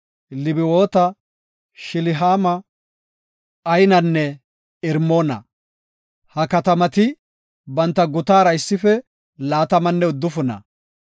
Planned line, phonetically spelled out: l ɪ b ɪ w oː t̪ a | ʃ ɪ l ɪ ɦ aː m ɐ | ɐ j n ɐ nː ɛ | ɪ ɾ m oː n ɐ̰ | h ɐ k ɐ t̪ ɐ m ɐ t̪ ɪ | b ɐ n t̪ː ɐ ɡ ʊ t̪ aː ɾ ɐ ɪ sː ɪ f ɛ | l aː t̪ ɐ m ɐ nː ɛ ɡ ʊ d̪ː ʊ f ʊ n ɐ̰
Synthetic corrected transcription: l ɪ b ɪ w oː t̪ ɐ | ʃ ɪ l ɪ ɦ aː m ɐ | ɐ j n ɐ nː ɛ | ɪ ɾ m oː n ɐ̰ | h ɐ k ɐ t̪ ɐ m ɐ t̪ ɪ | b ɐ n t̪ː ɐ ɡ ʊ t̪ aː ɾ ɐ ɪ sː ɪ f ɛ | l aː t̪ ɐ m ɐ nː ɛ ʊ d̪ː ʊ f ʊ n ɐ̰